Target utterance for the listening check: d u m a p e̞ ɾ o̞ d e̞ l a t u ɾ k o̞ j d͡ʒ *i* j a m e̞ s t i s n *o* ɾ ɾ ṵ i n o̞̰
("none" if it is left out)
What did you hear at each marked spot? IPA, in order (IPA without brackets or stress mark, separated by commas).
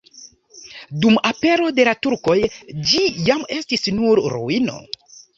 i, u